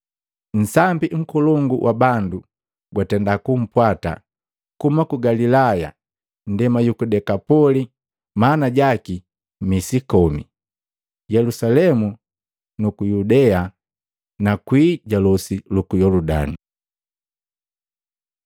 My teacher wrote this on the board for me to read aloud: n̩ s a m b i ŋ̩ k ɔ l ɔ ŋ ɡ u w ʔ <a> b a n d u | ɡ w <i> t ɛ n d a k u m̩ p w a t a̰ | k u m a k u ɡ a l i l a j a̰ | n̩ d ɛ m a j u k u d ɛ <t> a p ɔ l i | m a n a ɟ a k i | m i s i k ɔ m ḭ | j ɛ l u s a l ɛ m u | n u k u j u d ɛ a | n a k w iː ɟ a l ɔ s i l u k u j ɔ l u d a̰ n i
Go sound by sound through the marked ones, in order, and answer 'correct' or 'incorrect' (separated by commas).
correct, incorrect, incorrect